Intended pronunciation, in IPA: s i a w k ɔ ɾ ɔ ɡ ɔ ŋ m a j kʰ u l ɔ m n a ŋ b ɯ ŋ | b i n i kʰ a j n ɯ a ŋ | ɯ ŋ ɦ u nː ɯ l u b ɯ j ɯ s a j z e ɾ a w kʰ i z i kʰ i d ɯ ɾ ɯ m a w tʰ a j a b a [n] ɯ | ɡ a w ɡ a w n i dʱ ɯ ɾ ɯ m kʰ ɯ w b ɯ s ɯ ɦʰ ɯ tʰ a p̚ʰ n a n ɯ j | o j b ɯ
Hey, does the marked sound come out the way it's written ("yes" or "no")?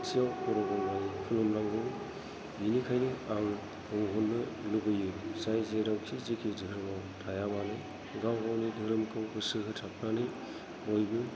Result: yes